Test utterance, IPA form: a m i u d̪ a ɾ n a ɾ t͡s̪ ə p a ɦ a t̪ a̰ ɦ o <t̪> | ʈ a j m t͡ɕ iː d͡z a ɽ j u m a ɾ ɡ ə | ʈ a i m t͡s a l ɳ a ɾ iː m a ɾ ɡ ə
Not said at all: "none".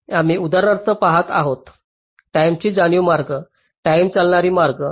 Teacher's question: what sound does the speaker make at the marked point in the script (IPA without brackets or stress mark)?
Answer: t̪